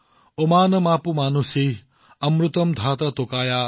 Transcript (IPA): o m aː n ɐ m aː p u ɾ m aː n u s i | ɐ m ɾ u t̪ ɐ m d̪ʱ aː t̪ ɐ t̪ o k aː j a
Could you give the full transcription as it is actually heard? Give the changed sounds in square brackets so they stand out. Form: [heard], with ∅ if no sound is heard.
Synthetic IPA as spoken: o m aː n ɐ m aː p u [∅] m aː n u s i | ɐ m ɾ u t̪ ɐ m d̪ʱ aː t̪ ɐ t̪ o k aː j a